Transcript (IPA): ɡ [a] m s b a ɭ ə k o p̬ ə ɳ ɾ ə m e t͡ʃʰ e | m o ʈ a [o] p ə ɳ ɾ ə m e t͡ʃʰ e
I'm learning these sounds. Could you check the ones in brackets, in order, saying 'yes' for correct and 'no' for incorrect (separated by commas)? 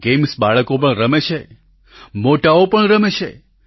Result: no, yes